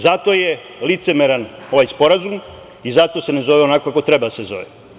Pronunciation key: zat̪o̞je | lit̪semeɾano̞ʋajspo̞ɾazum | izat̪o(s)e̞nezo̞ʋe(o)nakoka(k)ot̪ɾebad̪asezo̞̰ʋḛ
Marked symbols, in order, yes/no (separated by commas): yes, yes, yes